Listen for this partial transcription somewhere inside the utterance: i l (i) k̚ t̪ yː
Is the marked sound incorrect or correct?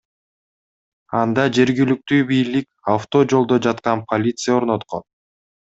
incorrect